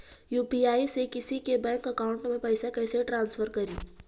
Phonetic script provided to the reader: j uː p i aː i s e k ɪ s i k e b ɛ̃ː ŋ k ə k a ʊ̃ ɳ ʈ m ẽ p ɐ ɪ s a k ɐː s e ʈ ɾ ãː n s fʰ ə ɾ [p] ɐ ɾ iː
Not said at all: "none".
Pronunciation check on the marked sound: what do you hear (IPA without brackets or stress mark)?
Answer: k